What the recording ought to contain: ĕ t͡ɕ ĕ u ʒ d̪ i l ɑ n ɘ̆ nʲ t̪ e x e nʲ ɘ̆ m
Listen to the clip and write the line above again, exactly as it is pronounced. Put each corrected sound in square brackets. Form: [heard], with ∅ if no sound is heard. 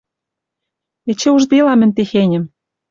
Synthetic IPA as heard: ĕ t͡ɕ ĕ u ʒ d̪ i l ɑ [m] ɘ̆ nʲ t̪ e x e nʲ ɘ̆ m